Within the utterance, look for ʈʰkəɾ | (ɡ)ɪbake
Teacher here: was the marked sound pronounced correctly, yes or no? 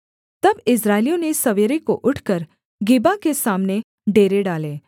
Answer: yes